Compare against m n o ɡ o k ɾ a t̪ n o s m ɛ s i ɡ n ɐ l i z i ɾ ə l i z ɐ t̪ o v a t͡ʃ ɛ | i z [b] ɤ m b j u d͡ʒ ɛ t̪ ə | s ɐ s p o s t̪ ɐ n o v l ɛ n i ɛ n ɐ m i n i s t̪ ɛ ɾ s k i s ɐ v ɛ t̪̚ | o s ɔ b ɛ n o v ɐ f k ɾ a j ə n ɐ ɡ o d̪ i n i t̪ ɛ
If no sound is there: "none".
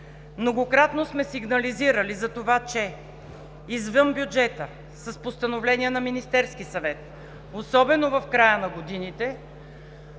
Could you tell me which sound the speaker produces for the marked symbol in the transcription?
v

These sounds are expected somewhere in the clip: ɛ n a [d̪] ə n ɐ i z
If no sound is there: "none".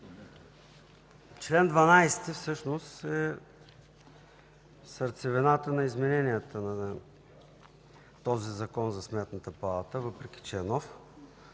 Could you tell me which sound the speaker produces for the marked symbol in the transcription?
t̪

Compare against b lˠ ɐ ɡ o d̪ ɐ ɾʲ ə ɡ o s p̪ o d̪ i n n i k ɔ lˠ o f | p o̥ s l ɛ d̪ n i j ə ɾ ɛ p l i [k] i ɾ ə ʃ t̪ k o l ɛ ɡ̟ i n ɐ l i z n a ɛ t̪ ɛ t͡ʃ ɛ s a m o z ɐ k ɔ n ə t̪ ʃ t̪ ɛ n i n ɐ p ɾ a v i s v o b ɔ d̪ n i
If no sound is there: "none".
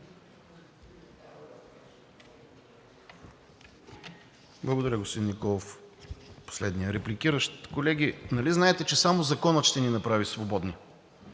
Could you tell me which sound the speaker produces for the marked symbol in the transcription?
k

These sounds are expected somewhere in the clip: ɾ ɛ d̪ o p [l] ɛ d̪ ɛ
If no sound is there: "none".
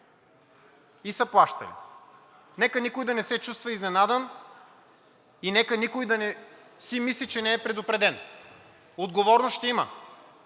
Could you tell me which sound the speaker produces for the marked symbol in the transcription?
ɾ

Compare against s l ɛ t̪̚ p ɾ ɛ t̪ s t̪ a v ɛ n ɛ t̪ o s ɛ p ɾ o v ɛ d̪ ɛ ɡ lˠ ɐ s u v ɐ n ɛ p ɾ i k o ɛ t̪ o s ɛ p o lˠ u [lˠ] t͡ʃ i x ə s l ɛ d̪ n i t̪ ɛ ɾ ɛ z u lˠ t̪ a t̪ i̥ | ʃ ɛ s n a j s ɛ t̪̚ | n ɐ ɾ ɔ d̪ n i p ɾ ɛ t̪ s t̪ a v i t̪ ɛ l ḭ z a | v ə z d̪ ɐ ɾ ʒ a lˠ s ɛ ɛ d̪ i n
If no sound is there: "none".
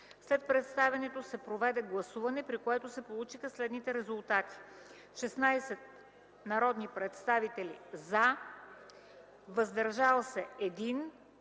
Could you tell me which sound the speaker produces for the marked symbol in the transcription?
none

